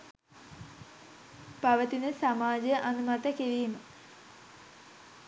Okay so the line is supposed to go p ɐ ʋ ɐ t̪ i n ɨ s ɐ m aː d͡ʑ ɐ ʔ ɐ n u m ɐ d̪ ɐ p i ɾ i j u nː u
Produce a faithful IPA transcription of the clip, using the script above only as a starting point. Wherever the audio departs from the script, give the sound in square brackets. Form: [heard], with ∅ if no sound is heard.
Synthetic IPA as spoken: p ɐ ʋ ɐ t̪ i n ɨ s ɐ m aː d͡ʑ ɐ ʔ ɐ n u m ɐ [t̪] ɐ [k] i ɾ i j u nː u

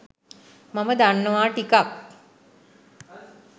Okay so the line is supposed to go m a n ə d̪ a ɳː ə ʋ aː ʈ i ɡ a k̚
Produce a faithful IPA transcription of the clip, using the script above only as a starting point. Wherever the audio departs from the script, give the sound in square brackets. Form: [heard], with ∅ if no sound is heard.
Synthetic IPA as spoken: m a [m] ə d̪ a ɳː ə ʋ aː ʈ i [k] a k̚

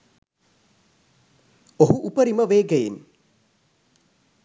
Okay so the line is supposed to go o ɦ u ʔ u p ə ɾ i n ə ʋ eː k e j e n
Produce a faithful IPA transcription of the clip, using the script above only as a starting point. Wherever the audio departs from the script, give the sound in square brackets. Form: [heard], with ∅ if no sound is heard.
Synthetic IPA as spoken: o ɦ u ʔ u p ə ɾ i [m] ə ʋ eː [ɡ] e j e n

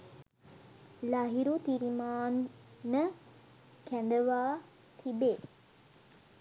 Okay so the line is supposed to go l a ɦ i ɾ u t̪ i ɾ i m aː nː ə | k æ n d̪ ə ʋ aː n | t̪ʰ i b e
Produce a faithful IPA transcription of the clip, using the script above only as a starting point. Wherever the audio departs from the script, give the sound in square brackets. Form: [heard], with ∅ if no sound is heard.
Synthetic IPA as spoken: l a ɦ i ɾ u t̪ i ɾ i m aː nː ə | k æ n d̪ ə ʋ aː [∅] | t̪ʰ i b e

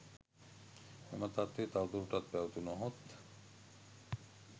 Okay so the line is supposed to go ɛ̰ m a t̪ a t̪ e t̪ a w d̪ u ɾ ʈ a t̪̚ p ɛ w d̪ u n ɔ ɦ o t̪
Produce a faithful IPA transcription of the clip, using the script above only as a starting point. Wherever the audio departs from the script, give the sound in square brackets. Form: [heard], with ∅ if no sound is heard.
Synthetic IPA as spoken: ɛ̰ m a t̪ a t̪ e t̪ a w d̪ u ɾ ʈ a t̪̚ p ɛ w [t̪] u n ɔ ɦ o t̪

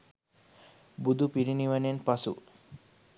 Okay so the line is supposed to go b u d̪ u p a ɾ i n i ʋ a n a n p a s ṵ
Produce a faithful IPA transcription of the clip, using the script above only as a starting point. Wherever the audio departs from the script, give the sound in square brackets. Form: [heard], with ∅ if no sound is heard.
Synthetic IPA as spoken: b u d̪ u p [i] ɾ i n i ʋ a n [e] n p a s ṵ

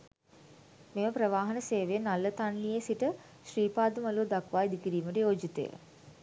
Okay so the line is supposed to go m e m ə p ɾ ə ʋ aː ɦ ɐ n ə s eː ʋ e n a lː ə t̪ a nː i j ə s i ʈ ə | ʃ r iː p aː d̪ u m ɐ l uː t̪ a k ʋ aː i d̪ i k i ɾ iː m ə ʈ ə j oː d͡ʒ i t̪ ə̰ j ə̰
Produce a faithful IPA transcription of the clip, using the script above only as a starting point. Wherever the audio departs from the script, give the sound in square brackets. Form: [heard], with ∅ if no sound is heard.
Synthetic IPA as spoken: m e m ə p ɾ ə ʋ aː ɦ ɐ n ə s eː ʋ e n a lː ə t̪ a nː i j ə s i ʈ ə | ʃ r iː p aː d̪ u m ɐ l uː [d̪] a k ʋ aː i d̪ i k i ɾ iː m ə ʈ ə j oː d͡ʒ i t̪ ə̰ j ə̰

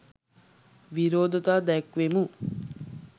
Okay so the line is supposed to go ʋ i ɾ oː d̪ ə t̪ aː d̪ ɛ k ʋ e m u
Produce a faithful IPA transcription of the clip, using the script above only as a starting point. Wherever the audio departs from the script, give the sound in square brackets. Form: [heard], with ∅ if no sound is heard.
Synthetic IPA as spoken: ʋ i ɾ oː d̪ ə t̪ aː d̪ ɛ k ʋ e m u

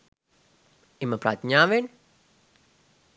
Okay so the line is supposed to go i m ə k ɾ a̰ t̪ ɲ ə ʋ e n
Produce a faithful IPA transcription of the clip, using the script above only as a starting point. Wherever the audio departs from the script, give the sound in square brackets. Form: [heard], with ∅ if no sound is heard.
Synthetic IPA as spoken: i m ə [p] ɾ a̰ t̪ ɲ [a] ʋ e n

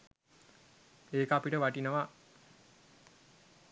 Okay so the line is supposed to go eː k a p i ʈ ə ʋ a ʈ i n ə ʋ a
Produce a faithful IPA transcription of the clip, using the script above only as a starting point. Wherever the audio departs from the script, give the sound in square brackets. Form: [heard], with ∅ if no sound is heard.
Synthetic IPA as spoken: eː k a p i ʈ ə ʋ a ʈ i n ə ʋ a

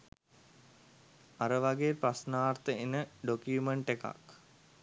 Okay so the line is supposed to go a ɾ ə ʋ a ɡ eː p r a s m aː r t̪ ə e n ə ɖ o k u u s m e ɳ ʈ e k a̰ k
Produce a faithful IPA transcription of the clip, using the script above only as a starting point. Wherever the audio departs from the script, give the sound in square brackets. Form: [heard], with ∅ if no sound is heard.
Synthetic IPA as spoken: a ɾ ə ʋ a ɡ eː p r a s [n] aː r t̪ ə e n ə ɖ o k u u [∅] m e ɳ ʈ e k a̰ k

